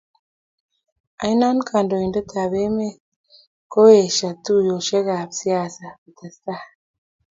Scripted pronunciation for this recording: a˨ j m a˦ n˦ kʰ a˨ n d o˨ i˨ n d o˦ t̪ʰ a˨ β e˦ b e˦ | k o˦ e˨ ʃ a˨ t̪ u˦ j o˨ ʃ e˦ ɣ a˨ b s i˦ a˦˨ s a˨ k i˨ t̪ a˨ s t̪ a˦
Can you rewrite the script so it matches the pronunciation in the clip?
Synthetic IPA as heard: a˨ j n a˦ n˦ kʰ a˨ n d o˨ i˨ n d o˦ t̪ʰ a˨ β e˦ m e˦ | k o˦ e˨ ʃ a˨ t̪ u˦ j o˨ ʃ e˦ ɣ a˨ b s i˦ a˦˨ s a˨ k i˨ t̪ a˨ s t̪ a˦